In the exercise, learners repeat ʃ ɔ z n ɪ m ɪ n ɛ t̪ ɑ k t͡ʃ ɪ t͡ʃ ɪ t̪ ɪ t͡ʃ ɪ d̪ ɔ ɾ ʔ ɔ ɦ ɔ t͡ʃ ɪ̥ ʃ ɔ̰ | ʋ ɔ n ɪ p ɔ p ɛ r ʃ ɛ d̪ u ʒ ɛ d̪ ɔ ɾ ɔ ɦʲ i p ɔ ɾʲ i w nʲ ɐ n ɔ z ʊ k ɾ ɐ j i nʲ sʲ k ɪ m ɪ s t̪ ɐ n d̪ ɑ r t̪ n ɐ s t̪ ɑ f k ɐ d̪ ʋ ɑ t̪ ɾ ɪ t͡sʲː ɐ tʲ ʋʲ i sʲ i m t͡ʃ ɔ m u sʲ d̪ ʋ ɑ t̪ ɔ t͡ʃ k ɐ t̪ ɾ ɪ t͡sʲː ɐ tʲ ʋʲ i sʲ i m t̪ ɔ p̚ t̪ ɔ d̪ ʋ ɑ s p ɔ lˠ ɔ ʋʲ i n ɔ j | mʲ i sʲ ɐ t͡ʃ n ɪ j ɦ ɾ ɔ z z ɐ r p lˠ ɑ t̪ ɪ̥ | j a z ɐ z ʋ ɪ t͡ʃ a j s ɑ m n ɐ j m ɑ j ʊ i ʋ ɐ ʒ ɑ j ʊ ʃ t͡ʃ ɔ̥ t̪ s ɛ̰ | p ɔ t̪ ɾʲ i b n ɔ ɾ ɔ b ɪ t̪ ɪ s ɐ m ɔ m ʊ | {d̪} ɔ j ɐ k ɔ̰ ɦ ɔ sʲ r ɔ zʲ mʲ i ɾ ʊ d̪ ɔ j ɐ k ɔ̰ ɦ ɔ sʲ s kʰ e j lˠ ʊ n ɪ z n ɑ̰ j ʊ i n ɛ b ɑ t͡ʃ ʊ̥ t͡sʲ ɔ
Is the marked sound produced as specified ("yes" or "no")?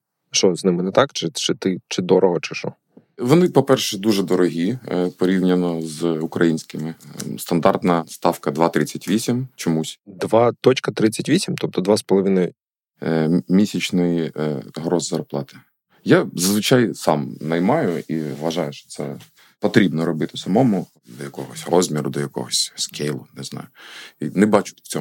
yes